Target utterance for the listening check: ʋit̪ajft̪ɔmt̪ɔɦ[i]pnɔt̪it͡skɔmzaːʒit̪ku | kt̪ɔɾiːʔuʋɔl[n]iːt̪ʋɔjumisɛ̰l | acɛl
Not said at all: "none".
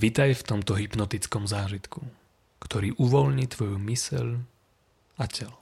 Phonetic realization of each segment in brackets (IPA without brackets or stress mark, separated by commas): i, ɲ